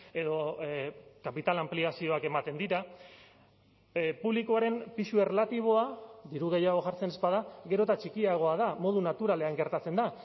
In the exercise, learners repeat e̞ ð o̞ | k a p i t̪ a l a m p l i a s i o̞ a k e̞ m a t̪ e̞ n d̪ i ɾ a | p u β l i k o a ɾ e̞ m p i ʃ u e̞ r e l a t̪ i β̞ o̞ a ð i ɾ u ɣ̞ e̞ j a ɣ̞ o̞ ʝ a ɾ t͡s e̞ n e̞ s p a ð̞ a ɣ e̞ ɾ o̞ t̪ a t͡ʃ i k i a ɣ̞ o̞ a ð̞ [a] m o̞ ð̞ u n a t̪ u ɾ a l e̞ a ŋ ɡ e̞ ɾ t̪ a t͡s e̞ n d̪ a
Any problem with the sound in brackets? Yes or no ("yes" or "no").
no